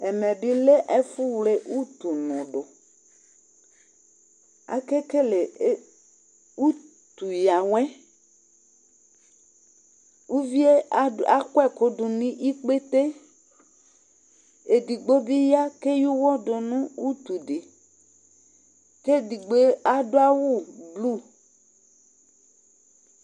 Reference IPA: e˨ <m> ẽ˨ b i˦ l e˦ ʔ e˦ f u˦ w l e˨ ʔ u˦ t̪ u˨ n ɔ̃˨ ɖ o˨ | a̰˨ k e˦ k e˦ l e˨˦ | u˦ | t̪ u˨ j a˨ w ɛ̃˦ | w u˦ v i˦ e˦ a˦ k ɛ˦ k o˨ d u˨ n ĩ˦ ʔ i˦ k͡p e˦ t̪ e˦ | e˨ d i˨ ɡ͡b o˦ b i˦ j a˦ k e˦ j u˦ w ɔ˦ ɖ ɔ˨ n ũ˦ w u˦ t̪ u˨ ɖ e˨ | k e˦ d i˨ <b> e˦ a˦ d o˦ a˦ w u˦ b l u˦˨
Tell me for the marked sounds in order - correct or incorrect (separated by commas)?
correct, incorrect